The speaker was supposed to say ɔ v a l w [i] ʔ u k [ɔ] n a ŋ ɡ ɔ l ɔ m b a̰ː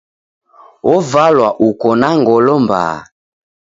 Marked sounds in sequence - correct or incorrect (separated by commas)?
incorrect, correct